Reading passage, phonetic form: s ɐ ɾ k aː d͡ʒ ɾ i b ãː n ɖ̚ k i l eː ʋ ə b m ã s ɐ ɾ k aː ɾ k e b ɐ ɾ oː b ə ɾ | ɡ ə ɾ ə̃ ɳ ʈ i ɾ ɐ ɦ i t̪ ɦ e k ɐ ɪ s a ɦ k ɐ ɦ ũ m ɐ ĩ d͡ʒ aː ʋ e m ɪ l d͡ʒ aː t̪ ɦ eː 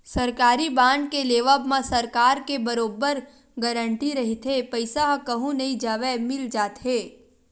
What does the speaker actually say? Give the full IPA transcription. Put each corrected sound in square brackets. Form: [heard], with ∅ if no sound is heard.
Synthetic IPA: s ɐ ɾ k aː [∅] ɾ i b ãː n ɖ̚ k [e] l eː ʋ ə b m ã s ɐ ɾ k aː ɾ k e b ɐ ɾ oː b ə ɾ | ɡ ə ɾ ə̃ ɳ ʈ i ɾ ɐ ɦ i t̪ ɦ e [p] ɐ ɪ s a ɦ k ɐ ɦ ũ [n] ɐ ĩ d͡ʒ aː ʋ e m ɪ l d͡ʒ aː t̪ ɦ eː